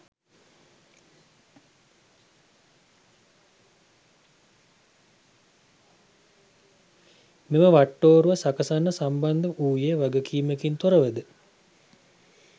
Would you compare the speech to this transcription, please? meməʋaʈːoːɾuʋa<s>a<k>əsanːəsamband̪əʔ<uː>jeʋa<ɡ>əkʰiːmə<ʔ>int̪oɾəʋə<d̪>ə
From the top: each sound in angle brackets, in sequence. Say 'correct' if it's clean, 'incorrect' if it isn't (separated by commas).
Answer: correct, correct, correct, correct, incorrect, correct